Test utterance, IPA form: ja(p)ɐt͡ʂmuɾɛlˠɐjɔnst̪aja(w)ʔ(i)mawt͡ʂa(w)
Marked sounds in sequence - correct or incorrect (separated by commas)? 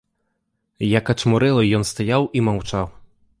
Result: incorrect, correct, correct, correct